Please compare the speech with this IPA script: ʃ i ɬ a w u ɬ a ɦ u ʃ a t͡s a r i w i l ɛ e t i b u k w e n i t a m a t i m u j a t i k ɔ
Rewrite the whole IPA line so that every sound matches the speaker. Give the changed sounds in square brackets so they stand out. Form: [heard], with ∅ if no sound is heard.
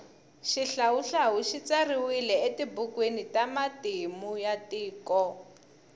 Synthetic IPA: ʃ i ɬ a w u ɬ a ɦ u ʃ [i] t͡s a r i w i l ɛ e t i b u k w e n i t a m a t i m u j a t [iː] k ɔ